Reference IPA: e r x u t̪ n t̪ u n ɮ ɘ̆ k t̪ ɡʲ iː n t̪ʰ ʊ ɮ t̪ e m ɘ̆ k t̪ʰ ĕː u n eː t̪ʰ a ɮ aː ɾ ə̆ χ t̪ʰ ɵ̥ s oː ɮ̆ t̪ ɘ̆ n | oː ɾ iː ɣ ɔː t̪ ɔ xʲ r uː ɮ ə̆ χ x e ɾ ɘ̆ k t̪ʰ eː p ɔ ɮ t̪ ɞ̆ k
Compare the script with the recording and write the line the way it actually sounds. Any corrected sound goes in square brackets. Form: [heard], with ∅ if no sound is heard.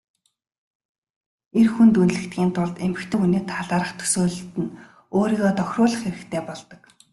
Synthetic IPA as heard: e r x u [∅] n t̪ u n ɮ ɘ̆ k t̪ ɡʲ iː n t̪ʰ ʊ ɮ t̪ e m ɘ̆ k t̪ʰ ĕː u n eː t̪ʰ a ɮ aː ɾ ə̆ χ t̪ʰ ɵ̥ s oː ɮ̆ t̪ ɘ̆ n | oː ɾ iː ɣ ɔː t̪ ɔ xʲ r [ʊː] ɮ ə̆ χ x e ɾ ɘ̆ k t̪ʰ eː p ɔ ɮ t̪ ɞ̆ k

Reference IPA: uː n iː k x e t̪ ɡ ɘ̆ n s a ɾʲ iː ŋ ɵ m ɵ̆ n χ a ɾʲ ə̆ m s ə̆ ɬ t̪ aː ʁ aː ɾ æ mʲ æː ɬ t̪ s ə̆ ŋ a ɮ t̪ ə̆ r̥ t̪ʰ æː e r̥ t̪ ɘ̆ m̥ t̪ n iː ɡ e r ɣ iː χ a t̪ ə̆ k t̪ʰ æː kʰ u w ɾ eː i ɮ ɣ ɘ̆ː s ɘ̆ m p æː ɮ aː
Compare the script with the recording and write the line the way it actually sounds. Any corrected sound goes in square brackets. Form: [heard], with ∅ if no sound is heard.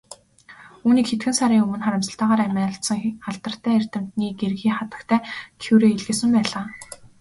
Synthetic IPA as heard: uː n iː k x e t̪ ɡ ɘ̆ n s a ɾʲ iː ŋ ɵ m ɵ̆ n χ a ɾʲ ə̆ m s ə̆ ɬ t̪ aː ʁ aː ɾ æ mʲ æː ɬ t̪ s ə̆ ŋ a ɮ t̪ ə̆ r̥ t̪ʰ æː e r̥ t̪ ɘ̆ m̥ t̪ n iː ɡ e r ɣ iː χ a t̪ ə̆ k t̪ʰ æː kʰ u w ɾ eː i ɮ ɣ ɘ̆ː s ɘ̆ m p æː ɮ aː

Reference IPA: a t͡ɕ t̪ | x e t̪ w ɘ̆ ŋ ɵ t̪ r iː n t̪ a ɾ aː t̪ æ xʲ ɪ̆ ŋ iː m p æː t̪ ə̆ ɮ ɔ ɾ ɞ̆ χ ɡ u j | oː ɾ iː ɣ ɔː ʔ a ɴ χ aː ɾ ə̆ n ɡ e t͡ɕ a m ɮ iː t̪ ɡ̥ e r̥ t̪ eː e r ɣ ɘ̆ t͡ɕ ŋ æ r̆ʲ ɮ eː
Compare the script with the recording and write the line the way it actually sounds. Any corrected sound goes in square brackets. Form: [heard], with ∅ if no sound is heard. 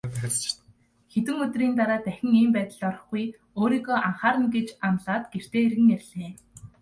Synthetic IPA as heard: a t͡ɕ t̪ | x e t̪ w ɘ̆ ŋ ɵ t̪ r iː n t̪ a ɾ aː t̪ æ xʲ ɪ̆ ŋ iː m p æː t̪ ə̆ ɮ ɔ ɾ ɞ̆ χ ɡ u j | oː ɾ iː ɣ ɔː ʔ a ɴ χ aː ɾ ə̆ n ɡ e t͡ɕ a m ɮ [aː] t̪ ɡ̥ e r̥ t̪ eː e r ɣ ɘ̆ [∅] ŋ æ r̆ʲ ɮ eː

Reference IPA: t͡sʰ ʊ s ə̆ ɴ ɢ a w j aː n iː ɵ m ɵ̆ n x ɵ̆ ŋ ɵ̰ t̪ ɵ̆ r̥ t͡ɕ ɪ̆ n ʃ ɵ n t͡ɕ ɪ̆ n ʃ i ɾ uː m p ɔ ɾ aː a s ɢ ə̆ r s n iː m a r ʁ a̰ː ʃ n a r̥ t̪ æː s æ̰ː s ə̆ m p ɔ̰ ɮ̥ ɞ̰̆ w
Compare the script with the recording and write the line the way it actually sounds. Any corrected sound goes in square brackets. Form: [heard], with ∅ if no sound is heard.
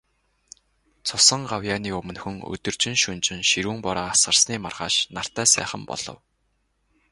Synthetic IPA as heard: t͡sʰ ʊ s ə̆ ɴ ɢ a w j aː n iː ɵ m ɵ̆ n x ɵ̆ ŋ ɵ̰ t̪ ɵ̆ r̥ t͡ɕ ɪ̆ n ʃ ɵ n t͡ɕ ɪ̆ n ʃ i ɾ uː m p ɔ ɾ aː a s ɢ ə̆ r s n iː m a r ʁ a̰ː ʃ n a r̥ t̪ æː s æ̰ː [χ] ə̆ m p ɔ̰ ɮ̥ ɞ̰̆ w

